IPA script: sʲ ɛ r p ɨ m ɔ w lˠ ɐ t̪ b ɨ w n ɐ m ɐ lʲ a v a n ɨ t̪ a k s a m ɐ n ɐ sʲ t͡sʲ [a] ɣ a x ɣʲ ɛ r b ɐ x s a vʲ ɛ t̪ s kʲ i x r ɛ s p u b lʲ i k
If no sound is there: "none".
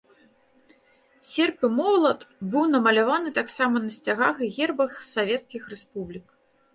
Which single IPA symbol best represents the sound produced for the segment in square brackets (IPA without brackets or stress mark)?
a